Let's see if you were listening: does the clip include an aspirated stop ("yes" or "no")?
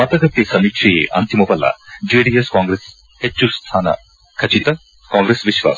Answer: yes